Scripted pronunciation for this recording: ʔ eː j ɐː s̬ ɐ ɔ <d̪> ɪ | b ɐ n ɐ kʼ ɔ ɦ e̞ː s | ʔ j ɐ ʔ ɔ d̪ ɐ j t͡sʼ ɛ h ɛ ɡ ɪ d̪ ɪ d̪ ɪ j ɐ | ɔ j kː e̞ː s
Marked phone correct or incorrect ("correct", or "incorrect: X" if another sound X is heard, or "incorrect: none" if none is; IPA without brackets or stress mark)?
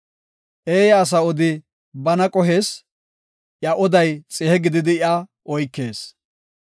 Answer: correct